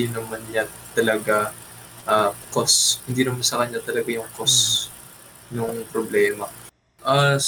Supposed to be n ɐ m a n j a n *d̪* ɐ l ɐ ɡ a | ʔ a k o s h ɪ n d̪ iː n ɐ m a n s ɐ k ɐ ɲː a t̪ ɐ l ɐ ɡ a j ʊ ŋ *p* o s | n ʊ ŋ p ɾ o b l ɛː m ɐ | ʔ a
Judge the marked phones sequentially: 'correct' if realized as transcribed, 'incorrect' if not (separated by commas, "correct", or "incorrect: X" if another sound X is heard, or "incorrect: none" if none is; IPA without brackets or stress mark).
incorrect: t̪, incorrect: k